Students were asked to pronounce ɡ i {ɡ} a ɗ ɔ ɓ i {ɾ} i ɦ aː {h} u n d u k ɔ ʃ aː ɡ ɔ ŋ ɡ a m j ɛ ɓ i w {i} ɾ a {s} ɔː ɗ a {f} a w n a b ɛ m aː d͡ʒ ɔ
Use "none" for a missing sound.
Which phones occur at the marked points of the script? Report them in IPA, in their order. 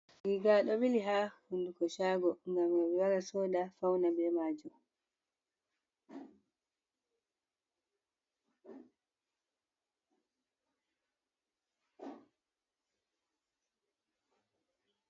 ɡ, l, h, a, s, f

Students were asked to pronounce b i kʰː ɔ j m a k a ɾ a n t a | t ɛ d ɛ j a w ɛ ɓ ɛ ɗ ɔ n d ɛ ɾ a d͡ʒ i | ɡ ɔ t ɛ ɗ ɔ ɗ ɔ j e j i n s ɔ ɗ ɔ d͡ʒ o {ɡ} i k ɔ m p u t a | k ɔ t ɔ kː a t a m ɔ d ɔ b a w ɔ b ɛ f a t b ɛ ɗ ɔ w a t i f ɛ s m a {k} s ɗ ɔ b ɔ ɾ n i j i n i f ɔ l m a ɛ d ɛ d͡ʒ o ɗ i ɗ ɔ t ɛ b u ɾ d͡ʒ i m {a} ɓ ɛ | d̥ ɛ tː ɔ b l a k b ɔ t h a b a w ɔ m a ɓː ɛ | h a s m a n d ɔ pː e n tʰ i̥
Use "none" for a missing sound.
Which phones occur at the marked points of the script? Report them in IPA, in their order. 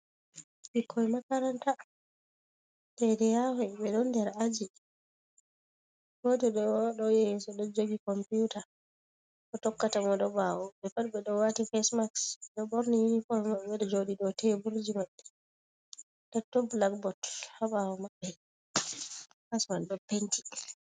ɡ, k, a

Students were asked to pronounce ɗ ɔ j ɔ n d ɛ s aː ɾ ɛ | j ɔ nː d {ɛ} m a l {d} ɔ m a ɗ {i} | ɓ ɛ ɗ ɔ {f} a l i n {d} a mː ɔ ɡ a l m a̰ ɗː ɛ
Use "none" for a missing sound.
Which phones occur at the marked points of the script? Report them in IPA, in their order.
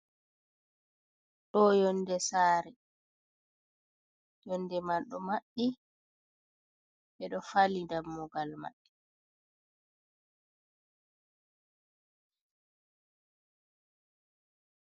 ɛ, ɗ, i, f, d

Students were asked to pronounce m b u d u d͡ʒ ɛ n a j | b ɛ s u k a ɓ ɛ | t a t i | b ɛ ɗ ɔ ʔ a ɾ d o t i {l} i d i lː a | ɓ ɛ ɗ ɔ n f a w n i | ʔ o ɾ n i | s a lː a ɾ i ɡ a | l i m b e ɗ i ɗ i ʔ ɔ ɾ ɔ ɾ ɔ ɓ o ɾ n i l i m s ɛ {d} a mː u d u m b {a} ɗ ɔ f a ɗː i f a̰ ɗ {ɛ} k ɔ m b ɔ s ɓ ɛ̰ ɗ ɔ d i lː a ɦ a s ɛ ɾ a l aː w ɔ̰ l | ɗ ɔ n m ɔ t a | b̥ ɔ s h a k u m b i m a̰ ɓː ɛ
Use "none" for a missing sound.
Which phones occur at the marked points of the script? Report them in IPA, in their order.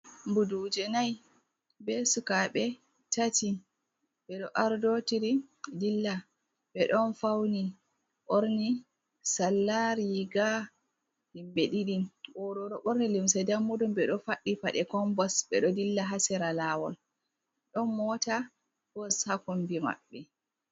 ɾ, d, ɛ, ɛ

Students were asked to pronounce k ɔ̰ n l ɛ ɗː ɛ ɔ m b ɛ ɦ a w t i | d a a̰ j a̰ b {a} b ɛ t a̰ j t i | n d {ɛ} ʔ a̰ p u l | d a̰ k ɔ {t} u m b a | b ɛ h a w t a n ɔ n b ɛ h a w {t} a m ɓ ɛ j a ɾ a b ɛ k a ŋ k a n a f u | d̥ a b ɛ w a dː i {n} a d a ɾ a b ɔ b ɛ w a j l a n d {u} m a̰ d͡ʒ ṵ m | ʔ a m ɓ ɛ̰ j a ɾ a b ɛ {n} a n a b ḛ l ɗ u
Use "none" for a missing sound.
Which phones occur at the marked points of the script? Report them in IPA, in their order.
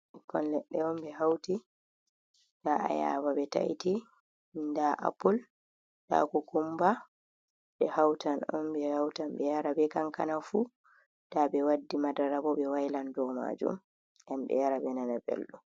a, a, k, t, m, ɔ, n

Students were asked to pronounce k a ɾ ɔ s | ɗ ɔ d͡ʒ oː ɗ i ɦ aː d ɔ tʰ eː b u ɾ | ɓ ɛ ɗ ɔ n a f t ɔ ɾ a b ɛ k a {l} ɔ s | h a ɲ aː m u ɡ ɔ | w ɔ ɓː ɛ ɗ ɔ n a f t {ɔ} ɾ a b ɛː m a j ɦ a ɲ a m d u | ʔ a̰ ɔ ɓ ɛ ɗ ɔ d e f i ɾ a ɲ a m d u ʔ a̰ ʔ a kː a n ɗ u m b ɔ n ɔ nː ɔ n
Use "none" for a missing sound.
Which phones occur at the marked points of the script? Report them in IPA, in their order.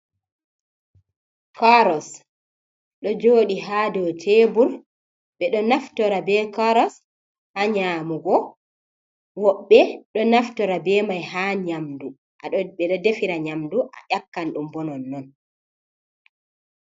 ɾ, ɔ

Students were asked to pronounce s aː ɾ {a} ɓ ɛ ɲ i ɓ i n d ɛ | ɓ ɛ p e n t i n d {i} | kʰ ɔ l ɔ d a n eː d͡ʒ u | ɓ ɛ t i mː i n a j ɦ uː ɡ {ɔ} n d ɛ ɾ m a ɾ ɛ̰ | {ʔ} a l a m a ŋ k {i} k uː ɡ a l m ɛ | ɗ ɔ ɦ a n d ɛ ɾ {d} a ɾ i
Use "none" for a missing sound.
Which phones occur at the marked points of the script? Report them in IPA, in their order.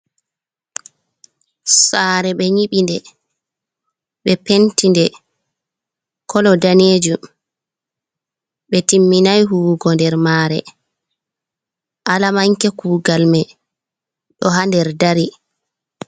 ɛ, ɛ, ɔ, ʔ, ɛ, d

